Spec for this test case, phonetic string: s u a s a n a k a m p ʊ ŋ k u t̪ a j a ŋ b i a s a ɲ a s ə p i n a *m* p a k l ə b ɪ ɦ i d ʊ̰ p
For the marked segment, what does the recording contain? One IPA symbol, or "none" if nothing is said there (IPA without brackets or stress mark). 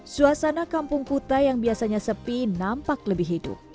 m